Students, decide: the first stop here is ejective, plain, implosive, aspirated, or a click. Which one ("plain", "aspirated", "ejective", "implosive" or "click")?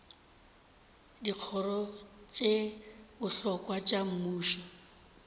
plain